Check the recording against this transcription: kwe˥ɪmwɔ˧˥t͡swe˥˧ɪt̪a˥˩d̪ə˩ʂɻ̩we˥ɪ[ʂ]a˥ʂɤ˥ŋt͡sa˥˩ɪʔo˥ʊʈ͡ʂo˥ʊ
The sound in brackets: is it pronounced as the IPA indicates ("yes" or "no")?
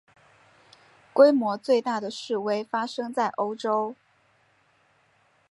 no